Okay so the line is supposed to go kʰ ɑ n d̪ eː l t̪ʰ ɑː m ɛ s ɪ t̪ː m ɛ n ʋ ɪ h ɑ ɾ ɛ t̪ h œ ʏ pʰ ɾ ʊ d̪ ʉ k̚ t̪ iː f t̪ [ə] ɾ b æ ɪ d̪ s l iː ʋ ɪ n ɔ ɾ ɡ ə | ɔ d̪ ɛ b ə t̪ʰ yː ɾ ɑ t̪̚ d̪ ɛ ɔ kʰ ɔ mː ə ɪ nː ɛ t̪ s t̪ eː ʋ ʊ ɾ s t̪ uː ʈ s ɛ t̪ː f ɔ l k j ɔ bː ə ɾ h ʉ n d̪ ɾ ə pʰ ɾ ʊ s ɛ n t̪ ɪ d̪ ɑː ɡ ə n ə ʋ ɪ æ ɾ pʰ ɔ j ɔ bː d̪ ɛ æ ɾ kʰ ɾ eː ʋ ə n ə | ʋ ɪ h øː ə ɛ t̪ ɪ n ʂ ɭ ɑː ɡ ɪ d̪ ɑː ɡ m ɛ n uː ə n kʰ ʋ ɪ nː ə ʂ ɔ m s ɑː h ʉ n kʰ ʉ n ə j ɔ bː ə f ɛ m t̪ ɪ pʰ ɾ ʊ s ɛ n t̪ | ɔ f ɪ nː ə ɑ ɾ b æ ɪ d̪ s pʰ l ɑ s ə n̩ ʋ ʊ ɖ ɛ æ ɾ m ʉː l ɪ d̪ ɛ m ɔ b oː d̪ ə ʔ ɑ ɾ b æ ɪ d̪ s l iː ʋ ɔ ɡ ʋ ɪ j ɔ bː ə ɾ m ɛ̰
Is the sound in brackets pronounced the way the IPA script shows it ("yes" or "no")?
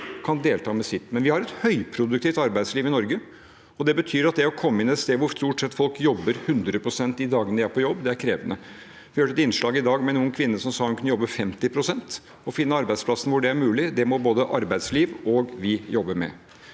no